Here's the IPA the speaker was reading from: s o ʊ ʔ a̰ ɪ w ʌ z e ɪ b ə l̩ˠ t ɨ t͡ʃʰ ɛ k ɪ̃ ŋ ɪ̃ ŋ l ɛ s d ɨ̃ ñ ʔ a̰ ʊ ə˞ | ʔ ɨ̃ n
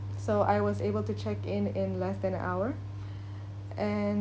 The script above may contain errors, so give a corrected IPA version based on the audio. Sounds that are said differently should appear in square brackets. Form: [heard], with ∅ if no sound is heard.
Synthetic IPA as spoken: s o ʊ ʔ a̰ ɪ w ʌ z e ɪ b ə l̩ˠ t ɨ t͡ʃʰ ɛ k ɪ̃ [n] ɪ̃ [n] l ɛ s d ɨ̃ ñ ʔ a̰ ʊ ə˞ | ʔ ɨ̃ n